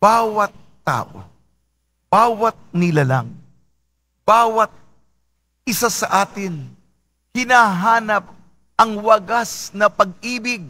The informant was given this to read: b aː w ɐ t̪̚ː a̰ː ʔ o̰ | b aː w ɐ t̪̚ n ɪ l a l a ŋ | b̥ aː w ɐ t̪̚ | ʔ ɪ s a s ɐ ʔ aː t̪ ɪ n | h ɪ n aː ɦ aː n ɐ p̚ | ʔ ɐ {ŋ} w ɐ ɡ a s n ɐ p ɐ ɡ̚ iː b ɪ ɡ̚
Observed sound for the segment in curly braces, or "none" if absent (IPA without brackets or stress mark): ŋ